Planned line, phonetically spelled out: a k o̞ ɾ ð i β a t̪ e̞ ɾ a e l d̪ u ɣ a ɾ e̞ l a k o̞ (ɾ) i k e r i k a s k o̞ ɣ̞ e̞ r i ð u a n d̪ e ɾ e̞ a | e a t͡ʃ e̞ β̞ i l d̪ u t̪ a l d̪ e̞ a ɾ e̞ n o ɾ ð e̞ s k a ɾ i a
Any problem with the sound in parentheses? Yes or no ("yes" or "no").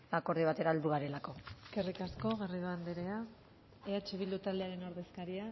yes